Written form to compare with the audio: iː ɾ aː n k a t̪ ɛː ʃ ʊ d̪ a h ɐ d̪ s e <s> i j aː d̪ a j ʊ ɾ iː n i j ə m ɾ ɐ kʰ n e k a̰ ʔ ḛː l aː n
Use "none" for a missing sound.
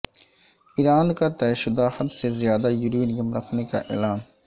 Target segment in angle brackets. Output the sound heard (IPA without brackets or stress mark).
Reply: z